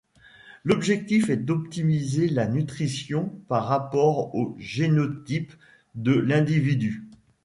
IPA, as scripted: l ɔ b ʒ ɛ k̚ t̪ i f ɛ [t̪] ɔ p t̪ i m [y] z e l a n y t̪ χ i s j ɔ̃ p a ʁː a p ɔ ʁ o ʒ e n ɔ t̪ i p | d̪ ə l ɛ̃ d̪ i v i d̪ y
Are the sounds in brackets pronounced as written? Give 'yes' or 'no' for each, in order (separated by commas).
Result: no, no